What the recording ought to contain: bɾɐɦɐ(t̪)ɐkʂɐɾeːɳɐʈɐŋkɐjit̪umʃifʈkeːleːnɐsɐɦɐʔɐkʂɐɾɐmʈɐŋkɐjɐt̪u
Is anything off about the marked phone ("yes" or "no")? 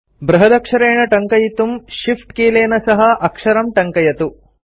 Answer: yes